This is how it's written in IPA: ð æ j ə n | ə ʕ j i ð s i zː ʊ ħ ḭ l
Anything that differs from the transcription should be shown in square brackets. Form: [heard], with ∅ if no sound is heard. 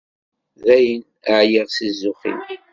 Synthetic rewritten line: ð æ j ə n | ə ʕ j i [ʁ] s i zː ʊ [χ] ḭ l

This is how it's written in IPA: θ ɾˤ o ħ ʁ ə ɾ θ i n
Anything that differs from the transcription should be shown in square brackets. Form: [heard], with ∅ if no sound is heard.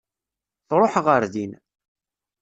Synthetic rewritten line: θ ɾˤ o ħ ʁ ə ɾ [ð] i n

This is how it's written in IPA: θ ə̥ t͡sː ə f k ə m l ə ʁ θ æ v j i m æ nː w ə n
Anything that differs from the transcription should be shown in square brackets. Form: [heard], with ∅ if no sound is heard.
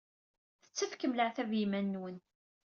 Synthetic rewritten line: θ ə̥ t͡sː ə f k ə m l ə [ʕ] θ æ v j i m æ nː w ə n

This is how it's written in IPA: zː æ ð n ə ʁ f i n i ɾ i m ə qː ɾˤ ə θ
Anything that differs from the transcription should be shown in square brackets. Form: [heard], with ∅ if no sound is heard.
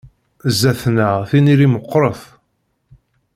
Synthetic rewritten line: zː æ [θ] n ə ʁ [θ] i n i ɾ i m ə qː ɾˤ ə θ

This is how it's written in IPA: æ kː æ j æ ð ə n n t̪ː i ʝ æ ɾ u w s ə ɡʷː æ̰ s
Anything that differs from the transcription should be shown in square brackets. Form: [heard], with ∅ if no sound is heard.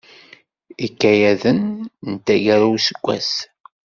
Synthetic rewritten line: [i] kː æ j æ ð ə n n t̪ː [æ] ʝ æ ɾ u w s ə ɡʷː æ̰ s

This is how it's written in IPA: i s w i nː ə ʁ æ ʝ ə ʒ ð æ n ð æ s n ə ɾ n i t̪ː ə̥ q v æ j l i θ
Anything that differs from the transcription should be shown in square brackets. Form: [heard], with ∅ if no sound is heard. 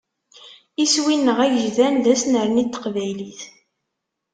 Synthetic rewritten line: i s w i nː ə ʁ æ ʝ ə ʒ ð æ n ð æ s n ə ɾ n i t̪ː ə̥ q v æ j l i θ

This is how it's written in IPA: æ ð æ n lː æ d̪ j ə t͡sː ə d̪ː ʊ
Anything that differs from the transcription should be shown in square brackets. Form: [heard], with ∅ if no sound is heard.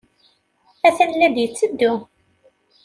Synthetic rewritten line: æ [θ] æ n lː æ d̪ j ə t͡sː ə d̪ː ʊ

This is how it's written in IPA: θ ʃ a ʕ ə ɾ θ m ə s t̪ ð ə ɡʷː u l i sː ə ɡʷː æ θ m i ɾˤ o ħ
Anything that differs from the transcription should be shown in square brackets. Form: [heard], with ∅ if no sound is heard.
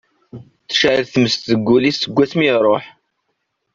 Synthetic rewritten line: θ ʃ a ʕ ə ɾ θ m ə s t̪ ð ə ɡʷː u l i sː ə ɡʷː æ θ m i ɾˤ o ħ

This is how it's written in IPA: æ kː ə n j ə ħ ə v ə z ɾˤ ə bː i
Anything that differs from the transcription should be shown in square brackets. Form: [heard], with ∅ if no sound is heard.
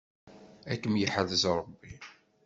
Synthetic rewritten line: æ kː ə [m] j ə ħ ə [ð] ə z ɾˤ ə bː i

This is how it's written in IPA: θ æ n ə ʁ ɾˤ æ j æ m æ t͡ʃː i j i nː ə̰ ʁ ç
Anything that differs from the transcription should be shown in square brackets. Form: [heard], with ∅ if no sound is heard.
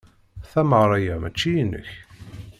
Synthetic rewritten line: θ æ [m] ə ʁ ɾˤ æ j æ m æ t͡ʃː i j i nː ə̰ [∅] ç

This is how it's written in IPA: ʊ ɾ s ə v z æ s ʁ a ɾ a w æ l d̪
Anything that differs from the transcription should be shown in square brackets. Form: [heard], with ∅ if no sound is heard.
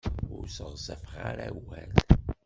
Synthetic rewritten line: ʊ ɾ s ə [ʁ] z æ [f] ʁ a ɾ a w æ l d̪

